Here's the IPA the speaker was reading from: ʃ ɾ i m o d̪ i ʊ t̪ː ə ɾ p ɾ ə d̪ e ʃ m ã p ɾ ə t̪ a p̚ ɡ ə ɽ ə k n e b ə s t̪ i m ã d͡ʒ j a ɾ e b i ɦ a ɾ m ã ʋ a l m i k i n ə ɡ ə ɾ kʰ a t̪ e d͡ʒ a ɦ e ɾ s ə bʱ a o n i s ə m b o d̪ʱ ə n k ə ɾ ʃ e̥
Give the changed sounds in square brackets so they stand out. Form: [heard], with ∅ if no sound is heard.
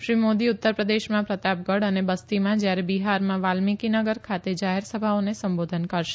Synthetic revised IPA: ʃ ɾ i m o d̪ i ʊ t̪ː ə ɾ p ɾ ə d̪ e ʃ m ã p ɾ ə t̪ a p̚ ɡ ə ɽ ə [∅] n e b ə s t̪ i m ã d͡ʒ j a ɾ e b i ɦ a ɾ m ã ʋ a l m i k i n ə ɡ ə ɾ kʰ a t̪ e d͡ʒ a ɦ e ɾ s ə bʱ a o n [e] s ə m b o d̪ʱ ə n k ə ɾ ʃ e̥